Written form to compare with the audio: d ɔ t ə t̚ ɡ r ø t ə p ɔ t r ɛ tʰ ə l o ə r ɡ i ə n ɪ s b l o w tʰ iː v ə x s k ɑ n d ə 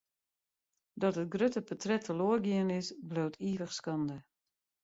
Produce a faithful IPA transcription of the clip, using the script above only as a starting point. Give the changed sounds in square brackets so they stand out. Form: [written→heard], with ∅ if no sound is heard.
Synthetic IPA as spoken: d ɔ t ə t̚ ɡ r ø t ə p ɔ t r ɛ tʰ ə l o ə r ɡ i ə n ɪ s b l o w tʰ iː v ə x s k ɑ n d ə